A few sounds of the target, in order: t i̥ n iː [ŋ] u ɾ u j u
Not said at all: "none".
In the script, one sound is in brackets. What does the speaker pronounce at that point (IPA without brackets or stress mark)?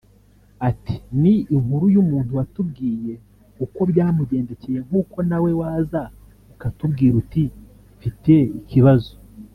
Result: ŋ